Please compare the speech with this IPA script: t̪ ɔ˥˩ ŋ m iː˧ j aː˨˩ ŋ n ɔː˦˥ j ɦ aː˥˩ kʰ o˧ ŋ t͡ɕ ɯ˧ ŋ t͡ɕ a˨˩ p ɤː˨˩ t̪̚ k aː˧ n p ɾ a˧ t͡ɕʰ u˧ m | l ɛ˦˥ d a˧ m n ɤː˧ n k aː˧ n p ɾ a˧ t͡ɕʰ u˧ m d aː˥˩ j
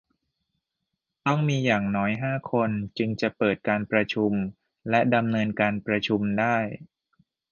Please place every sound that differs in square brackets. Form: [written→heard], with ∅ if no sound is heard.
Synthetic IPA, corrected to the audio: t̪ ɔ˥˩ ŋ m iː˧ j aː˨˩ ŋ n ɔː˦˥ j ɦ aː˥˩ kʰ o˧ [ŋ→n] t͡ɕ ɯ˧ ŋ t͡ɕ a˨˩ p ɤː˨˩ t̪̚ k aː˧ n p ɾ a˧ t͡ɕʰ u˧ m | l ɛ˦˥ d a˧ m n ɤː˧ n k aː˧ n p ɾ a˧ t͡ɕʰ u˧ m d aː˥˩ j